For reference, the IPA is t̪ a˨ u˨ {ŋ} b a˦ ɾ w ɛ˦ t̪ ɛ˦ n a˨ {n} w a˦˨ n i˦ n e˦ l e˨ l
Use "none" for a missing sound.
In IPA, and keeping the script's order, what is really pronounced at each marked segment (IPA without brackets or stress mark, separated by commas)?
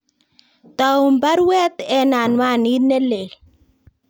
m, n